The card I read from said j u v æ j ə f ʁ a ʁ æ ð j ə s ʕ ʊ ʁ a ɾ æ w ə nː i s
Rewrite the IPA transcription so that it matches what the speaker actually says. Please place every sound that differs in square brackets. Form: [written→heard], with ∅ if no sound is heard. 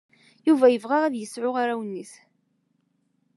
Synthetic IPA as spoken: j u v æ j ə [f→v] ʁ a ʁ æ ð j ə s ʕ ʊ ʁ a ɾ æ w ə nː i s